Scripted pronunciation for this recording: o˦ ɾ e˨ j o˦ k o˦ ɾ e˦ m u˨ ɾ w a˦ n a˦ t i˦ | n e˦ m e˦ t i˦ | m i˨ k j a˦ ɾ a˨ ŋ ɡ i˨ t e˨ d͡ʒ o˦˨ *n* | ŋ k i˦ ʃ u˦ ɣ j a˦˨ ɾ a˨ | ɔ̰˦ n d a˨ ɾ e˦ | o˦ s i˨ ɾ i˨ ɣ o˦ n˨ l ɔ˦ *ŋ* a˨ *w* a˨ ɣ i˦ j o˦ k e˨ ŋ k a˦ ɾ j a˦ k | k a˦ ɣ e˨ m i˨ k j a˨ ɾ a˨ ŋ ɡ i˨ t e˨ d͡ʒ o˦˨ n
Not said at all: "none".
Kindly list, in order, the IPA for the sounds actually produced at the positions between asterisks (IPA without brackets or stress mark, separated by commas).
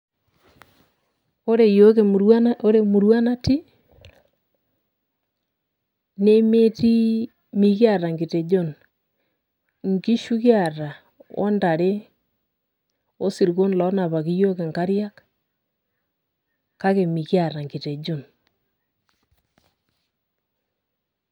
n, n, β